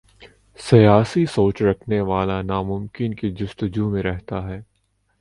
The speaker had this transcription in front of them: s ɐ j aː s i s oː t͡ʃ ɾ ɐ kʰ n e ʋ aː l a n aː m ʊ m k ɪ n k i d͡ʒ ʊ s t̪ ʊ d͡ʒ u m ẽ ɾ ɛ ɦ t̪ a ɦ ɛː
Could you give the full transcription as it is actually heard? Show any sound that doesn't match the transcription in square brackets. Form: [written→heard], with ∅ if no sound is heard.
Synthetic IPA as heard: s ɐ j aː s i s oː t͡ʃ ɾ ɐ kʰ n e ʋ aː l a n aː m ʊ m k ɪ n k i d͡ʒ ʊ s t̪ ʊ d͡ʒ u m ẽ ɾ ɛ ɦ t̪ a ɦ ɛː